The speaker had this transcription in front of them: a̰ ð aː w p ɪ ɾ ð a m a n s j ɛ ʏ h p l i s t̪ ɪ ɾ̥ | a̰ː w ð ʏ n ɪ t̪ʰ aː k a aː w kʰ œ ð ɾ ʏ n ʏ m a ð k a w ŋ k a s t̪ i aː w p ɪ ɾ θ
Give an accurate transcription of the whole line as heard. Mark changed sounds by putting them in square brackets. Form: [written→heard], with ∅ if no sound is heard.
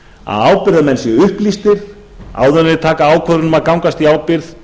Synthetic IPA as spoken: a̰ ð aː w p ɪ ɾ ð a m [a→ɛ] n s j ɛ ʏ h p l i s t̪ ɪ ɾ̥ | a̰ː w ð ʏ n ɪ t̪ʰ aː k a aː w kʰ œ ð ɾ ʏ n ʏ m a ð k a w ŋ k a s t̪ i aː w p ɪ ɾ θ

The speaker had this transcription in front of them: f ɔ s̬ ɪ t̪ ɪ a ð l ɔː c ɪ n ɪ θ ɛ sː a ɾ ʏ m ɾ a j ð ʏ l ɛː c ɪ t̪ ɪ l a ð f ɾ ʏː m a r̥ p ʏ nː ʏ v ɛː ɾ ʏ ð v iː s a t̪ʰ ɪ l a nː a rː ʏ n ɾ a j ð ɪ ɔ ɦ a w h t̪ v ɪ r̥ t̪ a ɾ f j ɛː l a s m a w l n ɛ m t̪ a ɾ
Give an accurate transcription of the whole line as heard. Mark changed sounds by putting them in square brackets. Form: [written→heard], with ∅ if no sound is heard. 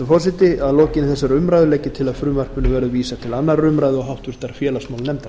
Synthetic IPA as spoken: f ɔ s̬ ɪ t̪ ɪ a ð l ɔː c ɪ n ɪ θ ɛ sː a ɾ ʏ m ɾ a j ð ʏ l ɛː c ɪ [t̪→t̪ʰ] ɪ l a ð f ɾ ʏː m a r̥ p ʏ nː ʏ v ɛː ɾ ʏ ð v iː s a t̪ʰ ɪ l a nː a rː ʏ [n→m] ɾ a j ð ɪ ɔ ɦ a w h t̪ v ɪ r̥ t̪ a ɾ f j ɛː l a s m a w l n ɛ m t̪ a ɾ

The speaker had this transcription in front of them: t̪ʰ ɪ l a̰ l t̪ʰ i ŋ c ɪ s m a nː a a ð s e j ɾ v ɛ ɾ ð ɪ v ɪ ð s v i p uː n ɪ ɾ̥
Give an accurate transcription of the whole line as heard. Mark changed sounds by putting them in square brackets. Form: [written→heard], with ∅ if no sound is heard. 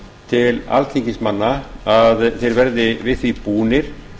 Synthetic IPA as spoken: t̪ʰ ɪ l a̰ l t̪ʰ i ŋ c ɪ s m a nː a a ð [s→θ] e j ɾ v ɛ ɾ ð ɪ v ɪ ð [s→θ] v i p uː n ɪ ɾ̥

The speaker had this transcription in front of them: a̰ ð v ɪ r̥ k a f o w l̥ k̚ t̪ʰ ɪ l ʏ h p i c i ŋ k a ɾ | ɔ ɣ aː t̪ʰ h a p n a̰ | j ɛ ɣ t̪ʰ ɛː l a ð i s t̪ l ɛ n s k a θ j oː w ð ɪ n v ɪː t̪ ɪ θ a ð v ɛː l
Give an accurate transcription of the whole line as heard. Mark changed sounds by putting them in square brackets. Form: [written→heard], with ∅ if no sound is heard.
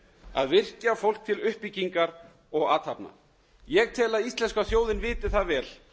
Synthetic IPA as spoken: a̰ ð v ɪ r̥ [k→c] a f o w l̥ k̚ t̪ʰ ɪ l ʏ h p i c i ŋ k a ɾ | ɔ ɣ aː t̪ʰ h a p n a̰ | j ɛ ɣ t̪ʰ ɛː l a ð i s t̪ l ɛ n s k a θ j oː w ð ɪ n v ɪː t̪ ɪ θ a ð v ɛː l

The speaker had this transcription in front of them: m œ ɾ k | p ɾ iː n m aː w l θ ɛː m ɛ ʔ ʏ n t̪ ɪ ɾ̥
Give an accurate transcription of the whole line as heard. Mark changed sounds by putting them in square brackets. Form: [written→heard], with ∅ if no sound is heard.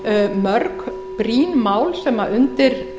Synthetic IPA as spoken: m œ ɾ k | p ɾ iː n m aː w l [θ→s] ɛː m [ɛ→a] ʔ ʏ n t̪ ɪ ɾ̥

